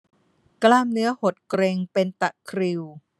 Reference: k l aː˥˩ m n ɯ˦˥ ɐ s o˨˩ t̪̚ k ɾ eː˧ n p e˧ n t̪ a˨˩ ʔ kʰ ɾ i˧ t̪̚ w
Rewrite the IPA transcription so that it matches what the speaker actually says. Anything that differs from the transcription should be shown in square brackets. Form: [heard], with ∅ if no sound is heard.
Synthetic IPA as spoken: k l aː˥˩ m n ɯ˦˥ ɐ [h] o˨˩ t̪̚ k ɾ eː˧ [ŋ] p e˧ n t̪ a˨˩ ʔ kʰ ɾ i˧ [∅] w